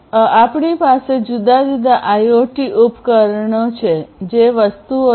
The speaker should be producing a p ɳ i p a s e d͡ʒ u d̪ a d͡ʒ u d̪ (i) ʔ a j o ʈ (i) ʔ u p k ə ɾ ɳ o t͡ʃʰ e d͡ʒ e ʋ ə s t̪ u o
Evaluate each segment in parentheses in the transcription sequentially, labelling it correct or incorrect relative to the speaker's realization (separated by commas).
incorrect, correct